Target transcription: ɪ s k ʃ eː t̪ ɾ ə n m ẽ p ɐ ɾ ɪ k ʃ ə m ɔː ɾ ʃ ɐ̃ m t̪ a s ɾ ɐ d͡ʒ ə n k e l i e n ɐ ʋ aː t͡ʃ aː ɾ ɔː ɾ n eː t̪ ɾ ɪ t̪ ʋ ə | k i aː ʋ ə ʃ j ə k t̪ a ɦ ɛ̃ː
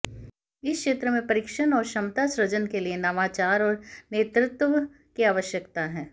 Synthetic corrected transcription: ɪ s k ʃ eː t̪ ɾ ə m ẽ p ɐ ɾ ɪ k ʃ ə n ɔː ɾ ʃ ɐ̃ m t̪ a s ɾ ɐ d͡ʒ ə n k e l i e n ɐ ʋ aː t͡ʃ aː ɾ ɔː ɾ n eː t̪ ɾ ɪ t̪ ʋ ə | k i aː ʋ ə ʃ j ə k t̪ a ɦ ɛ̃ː